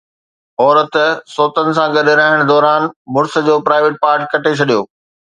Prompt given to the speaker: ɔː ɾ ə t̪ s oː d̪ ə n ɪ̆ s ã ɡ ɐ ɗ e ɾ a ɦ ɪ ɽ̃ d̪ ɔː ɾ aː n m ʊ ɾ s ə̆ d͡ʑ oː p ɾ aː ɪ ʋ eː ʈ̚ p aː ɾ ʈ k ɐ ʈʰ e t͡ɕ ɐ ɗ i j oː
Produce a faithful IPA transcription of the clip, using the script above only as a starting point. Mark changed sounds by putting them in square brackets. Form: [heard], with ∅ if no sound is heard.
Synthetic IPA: ɔː ɾ ə t̪ s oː [t̪] ə n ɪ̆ s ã ɡ ɐ ɗ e ɾ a ɦ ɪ ɽ̃ d̪ ɔː ɾ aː n m ʊ ɾ s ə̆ d͡ʑ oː p ɾ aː ɪ ʋ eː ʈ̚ p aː ɾ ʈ k ɐ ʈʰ e [t͡ɕʰ] ɐ ɗ i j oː